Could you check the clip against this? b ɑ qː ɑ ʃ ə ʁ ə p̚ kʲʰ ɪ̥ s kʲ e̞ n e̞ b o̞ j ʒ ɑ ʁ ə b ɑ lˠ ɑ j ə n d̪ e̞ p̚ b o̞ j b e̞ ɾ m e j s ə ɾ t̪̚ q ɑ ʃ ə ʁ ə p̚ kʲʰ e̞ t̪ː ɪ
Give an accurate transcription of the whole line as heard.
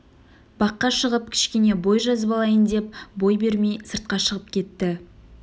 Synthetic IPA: b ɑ qː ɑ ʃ ə ʁ ə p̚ kʲʰ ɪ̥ ʃ kʲ e̞ n e̞ b o̞ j ʒ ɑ z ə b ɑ lˠ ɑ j ə n d̪ e̞ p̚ b o̞ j b e̞ ɾ m e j s ə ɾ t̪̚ q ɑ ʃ ə ʁ ə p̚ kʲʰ e̞ t̪ː ɪ